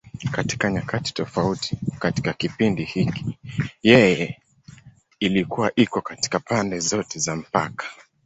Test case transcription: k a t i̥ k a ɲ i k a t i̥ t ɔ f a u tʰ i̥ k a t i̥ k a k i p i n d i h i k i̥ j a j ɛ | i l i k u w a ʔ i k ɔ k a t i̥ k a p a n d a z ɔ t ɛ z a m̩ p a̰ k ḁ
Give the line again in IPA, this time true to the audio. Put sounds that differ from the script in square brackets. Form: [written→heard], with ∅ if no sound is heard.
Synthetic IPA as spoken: k a t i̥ k a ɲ [i→a] k a t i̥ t ɔ f a u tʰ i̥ k a t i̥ k a k i p i n d i h i k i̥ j [a→ɛ] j ɛ | i l i k u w a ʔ i k ɔ k a t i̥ k a p a n d [a→ɛ] z ɔ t ɛ z a m̩ p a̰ k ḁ